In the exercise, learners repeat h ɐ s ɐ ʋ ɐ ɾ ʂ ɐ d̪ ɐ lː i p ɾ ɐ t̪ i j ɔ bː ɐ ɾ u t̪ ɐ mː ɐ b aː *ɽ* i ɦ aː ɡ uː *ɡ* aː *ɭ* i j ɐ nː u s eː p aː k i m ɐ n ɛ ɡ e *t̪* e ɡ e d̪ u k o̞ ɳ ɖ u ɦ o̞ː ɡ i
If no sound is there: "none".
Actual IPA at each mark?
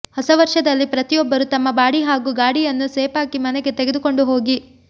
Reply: ɽ, ɡ, ɽ, t̪

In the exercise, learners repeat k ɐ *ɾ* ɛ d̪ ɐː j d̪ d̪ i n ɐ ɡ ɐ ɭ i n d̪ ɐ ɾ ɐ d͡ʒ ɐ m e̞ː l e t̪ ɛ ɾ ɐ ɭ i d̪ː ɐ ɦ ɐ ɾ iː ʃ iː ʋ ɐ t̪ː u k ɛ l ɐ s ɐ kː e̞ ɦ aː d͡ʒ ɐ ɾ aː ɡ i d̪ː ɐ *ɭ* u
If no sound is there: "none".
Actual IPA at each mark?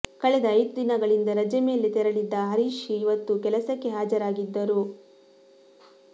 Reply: ɭ, ɾ

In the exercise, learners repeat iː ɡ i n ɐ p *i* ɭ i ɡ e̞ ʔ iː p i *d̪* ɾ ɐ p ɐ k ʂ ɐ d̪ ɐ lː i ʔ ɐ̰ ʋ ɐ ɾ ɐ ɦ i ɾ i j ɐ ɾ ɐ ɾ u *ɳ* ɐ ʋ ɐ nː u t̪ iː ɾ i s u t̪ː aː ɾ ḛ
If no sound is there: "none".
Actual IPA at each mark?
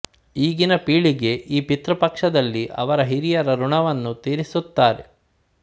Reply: iː, t̪, ɳ

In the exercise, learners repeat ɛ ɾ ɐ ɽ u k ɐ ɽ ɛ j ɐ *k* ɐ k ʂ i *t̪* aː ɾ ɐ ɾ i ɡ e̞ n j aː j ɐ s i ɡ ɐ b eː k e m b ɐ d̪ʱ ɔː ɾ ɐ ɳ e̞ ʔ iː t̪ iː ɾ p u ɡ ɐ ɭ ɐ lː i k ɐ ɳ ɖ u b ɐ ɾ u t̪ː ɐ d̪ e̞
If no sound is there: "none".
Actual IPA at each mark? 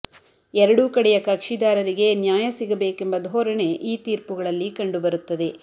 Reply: k, d̪

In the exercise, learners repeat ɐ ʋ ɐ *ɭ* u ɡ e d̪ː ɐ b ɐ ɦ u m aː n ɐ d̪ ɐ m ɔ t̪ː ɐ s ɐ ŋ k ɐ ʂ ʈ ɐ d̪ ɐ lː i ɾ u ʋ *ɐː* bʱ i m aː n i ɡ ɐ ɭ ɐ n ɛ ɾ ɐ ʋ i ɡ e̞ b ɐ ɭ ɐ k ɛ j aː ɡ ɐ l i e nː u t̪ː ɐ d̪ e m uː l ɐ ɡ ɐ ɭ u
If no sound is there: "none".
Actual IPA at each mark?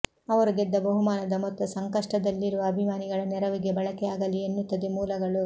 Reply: ɾ, ɐː

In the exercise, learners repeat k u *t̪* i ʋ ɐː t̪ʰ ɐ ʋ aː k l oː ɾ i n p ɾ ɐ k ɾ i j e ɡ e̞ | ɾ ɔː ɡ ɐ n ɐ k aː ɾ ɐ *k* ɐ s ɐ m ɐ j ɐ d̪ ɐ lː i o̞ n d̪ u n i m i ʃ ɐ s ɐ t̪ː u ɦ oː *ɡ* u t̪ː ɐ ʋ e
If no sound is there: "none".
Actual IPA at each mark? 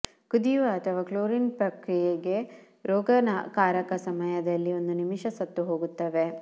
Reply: d̪, k, ɡ

